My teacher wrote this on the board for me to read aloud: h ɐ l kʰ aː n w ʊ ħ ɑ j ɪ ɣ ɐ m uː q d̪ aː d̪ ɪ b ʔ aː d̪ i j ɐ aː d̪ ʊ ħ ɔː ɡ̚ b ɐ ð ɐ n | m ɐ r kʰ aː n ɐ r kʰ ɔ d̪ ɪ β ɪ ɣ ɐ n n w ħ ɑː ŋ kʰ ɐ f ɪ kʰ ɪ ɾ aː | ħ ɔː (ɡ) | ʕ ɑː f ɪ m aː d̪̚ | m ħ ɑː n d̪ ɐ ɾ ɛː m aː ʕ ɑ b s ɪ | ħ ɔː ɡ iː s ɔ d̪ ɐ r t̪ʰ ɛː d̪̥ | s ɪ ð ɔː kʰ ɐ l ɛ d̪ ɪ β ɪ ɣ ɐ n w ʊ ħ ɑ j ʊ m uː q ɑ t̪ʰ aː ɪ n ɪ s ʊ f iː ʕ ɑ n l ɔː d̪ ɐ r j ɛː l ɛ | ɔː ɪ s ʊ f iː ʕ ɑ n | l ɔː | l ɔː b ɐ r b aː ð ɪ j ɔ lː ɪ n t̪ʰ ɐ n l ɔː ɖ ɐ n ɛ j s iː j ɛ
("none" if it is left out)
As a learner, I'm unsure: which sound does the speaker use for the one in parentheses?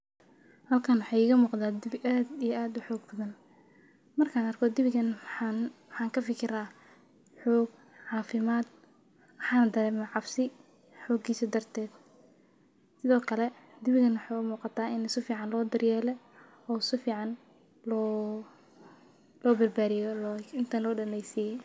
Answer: ɡ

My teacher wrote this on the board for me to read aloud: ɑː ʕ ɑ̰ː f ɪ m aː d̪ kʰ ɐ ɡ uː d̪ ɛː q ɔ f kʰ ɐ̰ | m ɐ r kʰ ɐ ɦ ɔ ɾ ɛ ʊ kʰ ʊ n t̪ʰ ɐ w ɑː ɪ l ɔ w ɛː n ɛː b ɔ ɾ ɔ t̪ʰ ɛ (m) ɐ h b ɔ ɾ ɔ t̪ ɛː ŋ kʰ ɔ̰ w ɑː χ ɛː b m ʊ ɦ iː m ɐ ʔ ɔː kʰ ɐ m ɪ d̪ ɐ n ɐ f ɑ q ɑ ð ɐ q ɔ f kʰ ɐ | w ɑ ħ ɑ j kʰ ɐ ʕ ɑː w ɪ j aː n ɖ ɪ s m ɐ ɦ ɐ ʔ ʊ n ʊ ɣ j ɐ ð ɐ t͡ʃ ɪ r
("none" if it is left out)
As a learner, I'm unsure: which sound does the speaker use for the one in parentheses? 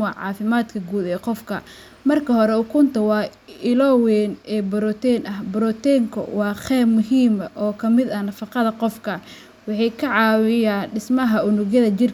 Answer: n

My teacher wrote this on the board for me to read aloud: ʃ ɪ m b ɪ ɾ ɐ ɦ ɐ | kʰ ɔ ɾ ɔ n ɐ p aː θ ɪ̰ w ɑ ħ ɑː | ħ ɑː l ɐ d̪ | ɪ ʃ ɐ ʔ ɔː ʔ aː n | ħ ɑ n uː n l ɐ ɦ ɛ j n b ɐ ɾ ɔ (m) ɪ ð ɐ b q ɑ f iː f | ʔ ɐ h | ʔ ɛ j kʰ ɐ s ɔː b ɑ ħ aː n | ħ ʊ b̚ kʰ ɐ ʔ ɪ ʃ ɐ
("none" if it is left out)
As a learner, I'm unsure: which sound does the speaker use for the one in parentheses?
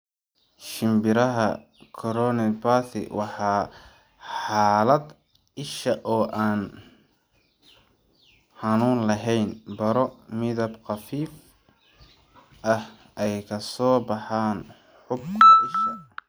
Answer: m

